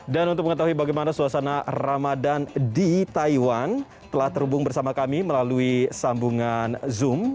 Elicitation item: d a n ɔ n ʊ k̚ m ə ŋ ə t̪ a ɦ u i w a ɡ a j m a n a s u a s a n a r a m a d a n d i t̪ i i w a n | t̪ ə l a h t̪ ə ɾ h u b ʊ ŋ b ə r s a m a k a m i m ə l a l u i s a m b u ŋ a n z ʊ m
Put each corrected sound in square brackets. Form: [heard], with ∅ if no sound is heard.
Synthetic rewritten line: d a n [u] n ʊ k̚ m ə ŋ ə t̪ a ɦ u i [b] a ɡ a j m a n a s u a s a n a r a m a d a n d i t̪ [a] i w a n | t̪ ə l a h t̪ ə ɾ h u b ʊ ŋ b ə r s a m a k a m i m ə l a l u i s a m b u ŋ a n z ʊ m